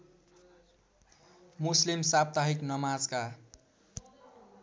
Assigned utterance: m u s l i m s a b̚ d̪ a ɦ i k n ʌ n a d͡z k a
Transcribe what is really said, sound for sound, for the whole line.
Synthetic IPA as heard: m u s l i m s a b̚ t̪ a ɦ i k n ʌ m a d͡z k a

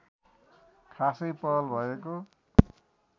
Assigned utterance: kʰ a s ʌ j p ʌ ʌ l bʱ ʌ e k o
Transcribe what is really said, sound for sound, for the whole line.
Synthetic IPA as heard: kʰ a s ʌ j p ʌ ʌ l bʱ ʌ e k o

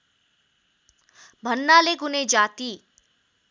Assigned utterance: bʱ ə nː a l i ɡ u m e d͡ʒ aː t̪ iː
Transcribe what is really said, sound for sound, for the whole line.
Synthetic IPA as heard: bʱ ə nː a l e ɡ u n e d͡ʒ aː t̪ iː

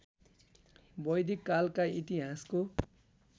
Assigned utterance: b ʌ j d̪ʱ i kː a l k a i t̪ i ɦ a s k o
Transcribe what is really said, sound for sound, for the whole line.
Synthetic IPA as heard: b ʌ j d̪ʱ i kː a l k a i t̪ i ɦ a s k o

